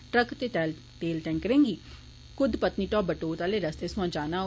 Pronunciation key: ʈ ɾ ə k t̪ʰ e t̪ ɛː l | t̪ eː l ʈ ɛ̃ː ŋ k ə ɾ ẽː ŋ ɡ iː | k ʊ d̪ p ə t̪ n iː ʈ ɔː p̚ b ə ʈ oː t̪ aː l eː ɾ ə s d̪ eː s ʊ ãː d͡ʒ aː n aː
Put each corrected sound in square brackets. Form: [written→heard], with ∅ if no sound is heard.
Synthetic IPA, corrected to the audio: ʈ ɾ ə k [t̪ʰ→t̪] e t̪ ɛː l | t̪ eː l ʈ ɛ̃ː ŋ k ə ɾ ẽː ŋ ɡ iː | k ʊ d̪ p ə t̪ n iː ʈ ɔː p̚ b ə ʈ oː t̪ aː l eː ɾ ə s [d̪→t̪] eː s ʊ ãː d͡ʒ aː n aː

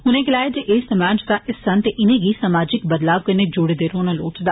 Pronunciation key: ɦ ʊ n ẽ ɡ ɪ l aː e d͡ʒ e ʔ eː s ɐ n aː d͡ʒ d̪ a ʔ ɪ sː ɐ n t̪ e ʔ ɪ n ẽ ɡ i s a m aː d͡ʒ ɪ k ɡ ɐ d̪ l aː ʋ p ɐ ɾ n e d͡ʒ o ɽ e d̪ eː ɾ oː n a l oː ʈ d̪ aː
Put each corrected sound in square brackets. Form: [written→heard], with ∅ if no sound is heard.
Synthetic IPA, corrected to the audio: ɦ ʊ n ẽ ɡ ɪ l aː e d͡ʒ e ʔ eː s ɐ [n→m] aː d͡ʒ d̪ a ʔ ɪ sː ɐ n t̪ e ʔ ɪ n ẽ ɡ i s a m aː d͡ʒ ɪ k [ɡ→b] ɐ d̪ l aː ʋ [p→k] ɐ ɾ n e d͡ʒ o ɽ e d̪ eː ɾ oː n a l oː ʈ d̪ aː

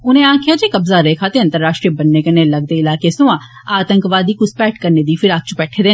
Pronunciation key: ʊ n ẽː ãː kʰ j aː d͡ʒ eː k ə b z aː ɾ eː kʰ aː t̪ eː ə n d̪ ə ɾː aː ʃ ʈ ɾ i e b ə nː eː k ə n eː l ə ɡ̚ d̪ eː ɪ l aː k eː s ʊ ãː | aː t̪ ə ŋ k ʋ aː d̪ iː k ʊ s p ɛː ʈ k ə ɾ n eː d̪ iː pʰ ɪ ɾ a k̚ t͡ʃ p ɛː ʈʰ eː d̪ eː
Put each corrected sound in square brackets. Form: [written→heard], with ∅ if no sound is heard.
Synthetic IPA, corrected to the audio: ʊ n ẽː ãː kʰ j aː d͡ʒ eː k ə b z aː ɾ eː kʰ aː t̪ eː ə n [d̪→t̪] ə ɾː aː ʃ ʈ ɾ i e b ə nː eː k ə n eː l ə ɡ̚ d̪ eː ɪ l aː k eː s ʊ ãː | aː t̪ ə ŋ k ʋ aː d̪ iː k ʊ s p ɛː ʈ k ə ɾ n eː d̪ iː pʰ ɪ ɾ a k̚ t͡ʃ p ɛː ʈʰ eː d̪ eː

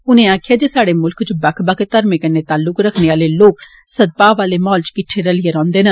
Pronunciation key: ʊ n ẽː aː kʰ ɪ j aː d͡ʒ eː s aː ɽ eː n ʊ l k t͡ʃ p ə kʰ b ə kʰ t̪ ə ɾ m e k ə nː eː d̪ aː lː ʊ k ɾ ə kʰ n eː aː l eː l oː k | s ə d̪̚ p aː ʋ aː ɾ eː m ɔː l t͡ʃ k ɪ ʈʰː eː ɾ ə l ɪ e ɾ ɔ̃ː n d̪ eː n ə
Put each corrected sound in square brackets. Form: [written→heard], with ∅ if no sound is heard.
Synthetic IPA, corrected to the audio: ʊ n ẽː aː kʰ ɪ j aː d͡ʒ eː s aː ɽ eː [n→m] ʊ l k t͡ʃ [p→b] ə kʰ b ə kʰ t̪ ə ɾ m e k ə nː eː [d̪→t̪] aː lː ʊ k ɾ ə kʰ n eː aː l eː l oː k | s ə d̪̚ p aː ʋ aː [ɾ→l] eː m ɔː l t͡ʃ k ɪ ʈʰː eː ɾ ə l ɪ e ɾ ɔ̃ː n d̪ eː n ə

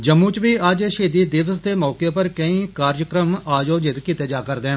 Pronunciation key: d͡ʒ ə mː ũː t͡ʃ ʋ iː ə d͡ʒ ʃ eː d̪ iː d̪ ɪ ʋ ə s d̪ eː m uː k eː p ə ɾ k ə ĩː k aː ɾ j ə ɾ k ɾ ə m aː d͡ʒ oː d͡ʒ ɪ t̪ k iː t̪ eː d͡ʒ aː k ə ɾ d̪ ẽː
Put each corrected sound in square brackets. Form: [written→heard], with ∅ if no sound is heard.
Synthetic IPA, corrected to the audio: d͡ʒ ə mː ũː t͡ʃ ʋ iː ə d͡ʒ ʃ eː d̪ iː d̪ ɪ ʋ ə s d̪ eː m [uː→ɔː] k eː p ə ɾ k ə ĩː k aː ɾ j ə [ɾ→∅] k ɾ ə m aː d͡ʒ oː d͡ʒ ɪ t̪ k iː t̪ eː d͡ʒ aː k ə ɾ d̪ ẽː

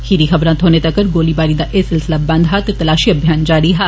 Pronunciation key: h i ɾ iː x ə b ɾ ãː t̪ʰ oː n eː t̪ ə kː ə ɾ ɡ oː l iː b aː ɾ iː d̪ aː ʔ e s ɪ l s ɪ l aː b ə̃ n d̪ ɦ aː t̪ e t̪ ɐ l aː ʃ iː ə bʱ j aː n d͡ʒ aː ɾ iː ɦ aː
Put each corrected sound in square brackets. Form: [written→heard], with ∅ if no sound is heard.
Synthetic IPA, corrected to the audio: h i ɾ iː x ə b ɾ ãː t̪ʰ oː n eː t̪ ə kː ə ɾ ɡ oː l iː b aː ɾ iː d̪ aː ʔ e s ɪ l s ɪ l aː b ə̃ n d̪ ɦ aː t̪ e t̪ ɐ l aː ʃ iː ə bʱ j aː n d͡ʒ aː ɾ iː ɦ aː

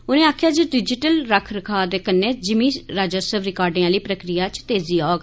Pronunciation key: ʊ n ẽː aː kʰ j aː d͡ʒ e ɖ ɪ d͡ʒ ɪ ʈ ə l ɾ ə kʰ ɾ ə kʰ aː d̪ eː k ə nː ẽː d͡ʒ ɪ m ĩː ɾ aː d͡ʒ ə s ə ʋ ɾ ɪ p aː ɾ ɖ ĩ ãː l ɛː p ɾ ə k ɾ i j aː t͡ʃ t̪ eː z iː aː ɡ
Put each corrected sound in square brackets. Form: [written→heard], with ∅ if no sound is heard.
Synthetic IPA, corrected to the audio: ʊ n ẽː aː kʰ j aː d͡ʒ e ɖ ɪ d͡ʒ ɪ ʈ ə l ɾ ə kʰ ɾ ə kʰ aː d̪ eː k ə nː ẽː d͡ʒ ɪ m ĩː ɾ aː d͡ʒ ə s ə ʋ ɾ ɪ [p→k] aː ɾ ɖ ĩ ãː l [ɛː→iː] p ɾ ə k ɾ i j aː t͡ʃ t̪ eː z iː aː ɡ

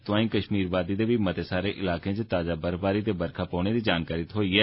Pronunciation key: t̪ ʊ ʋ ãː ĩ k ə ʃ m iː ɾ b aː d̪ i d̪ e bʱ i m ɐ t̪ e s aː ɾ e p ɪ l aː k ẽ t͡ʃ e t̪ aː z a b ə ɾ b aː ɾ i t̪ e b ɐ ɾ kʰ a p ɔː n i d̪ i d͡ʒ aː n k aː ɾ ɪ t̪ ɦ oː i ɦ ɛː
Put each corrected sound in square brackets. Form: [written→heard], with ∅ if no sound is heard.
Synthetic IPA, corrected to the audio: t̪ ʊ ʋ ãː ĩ k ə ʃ m iː ɾ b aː d̪ i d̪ e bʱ i m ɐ t̪ e s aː ɾ e [p→ʔ] ɪ l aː k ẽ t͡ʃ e t̪ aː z a b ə ɾ b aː ɾ i t̪ e b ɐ ɾ kʰ a p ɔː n [i→e] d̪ i d͡ʒ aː n k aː ɾ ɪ t̪ ɦ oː i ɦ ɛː

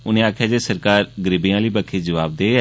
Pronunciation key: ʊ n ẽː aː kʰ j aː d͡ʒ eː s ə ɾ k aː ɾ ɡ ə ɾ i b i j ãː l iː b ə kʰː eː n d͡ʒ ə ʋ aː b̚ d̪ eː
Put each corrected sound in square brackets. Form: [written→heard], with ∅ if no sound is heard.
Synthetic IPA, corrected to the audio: ʊ n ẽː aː kʰ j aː d͡ʒ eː s ə ɾ k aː ɾ ɡ ə ɾ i b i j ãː l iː b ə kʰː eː [n→∅] d͡ʒ ə ʋ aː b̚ d̪ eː

